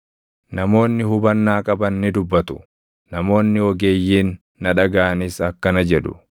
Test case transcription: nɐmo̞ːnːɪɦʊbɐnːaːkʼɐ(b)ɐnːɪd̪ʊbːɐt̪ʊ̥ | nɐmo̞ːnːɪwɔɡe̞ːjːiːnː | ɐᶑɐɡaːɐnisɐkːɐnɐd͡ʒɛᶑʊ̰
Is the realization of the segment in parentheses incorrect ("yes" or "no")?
no